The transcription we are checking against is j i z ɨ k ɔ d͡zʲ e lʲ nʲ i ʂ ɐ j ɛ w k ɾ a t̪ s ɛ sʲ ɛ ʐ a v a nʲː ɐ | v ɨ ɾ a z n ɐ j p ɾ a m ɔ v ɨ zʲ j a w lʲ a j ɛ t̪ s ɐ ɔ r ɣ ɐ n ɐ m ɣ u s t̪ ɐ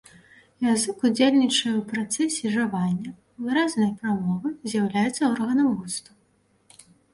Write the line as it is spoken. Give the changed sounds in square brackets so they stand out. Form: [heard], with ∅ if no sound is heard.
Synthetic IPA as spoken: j [a] z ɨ k [u] d͡zʲ e lʲ nʲ i [t͡ʂ] ɐ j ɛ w [p] ɾ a t̪ s ɛ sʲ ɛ ʐ a v a nʲː ɐ | v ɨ ɾ a z n ɐ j p ɾ a m ɔ v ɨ zʲ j a w lʲ a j ɛ t̪ [sː] ɐ ɔ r ɣ ɐ n ɐ m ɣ u s t̪ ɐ